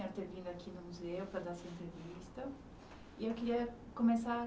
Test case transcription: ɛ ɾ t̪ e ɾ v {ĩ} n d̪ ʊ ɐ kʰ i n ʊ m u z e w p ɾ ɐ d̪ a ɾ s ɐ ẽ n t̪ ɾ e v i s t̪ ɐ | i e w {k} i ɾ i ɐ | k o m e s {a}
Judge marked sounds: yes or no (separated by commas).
yes, yes, yes